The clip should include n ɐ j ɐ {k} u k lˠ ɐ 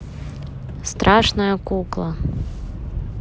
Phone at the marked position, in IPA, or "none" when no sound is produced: k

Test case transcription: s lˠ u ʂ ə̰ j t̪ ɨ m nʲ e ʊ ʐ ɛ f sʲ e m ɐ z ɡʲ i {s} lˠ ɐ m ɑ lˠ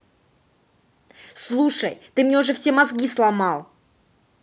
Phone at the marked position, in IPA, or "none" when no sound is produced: s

